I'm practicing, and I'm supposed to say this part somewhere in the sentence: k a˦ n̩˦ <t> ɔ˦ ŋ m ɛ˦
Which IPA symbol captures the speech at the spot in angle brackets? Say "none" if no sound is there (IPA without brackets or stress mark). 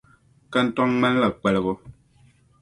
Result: t